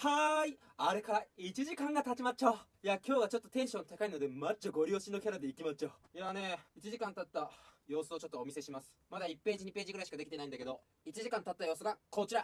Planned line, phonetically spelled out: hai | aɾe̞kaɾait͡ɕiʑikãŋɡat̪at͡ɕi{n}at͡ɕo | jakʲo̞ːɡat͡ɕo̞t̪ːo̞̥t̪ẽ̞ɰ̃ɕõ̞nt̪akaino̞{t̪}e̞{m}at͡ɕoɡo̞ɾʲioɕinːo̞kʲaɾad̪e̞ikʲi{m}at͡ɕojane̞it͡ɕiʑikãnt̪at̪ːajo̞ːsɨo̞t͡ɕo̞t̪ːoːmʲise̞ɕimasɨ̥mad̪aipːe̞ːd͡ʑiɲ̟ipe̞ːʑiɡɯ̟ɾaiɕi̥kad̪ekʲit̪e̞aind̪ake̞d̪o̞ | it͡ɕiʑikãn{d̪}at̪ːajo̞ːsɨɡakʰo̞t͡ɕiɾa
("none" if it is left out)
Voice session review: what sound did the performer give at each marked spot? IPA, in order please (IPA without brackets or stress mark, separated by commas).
m, d̪, m, m, t̪